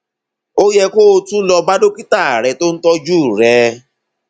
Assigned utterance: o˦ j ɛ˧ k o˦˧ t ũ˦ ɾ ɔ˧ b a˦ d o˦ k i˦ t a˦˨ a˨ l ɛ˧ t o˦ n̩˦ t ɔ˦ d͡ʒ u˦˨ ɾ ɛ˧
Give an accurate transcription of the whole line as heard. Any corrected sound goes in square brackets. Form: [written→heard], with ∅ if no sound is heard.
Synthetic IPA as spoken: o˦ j ɛ˧ k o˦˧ t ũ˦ [ɾ→l] ɔ˧ b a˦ d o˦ k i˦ t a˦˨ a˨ [l→ɾ] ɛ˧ t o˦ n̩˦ t ɔ˦ d͡ʒ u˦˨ ɾ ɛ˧